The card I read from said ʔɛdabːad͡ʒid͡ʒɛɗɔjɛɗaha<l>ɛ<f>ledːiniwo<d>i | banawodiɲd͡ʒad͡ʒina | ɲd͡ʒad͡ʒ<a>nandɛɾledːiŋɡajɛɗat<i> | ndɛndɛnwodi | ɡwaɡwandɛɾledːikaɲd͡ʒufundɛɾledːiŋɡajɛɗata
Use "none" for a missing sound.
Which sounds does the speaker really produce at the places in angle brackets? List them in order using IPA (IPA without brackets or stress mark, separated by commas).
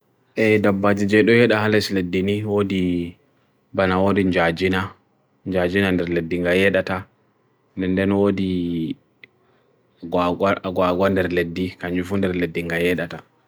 l, s, d, i, a